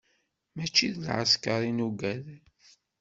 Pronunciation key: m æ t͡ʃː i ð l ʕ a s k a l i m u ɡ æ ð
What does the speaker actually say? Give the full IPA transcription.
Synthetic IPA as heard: m æ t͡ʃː i ð l ʕ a s k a ɾ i n u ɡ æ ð

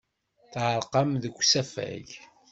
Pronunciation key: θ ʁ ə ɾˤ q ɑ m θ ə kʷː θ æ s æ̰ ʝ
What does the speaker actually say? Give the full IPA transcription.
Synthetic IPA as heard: θ ʕ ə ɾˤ q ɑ m ð ə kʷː s æ f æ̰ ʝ

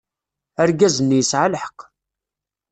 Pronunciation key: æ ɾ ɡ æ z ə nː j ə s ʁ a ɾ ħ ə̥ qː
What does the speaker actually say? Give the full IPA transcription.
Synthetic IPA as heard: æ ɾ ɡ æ z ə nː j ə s ʕ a l ħ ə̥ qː

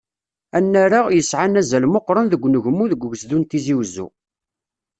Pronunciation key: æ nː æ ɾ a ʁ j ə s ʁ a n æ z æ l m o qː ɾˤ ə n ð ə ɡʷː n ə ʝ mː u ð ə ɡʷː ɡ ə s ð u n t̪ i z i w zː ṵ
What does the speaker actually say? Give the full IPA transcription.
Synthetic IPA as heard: æ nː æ ɾ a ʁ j ə s ʕ a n æ z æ l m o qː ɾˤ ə n ð ə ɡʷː n ə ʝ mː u ð ə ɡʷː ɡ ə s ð u n t̪ i z i w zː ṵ

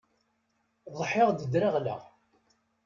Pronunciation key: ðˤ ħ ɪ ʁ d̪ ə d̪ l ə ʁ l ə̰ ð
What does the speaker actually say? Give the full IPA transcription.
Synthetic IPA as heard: ðˤ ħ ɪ ʁ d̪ ə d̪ ɾ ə ʁ l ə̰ ʁ

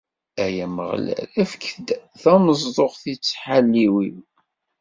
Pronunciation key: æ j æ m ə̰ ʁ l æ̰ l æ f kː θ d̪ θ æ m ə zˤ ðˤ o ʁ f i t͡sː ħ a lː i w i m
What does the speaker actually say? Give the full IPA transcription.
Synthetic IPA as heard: æ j æ m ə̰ ʁ l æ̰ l æ f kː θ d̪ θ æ m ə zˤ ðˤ o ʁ θ i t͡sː ħ a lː i w i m

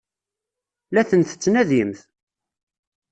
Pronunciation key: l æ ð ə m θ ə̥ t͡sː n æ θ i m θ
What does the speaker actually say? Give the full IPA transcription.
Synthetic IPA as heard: l æ θ ə n θ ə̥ t͡sː n æ ð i m θ

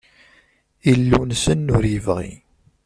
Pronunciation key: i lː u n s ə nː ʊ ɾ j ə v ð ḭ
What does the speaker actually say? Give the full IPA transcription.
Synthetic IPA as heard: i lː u n s ə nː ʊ ɾ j ə v ʁ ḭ

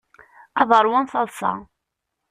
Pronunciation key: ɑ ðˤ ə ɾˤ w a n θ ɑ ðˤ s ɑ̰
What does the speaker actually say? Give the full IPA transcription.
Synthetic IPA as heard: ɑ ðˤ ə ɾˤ w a n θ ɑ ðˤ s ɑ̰

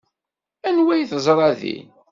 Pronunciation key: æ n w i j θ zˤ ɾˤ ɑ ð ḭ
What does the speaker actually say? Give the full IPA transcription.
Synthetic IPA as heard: æ n w æ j θ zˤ ɾˤ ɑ ð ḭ

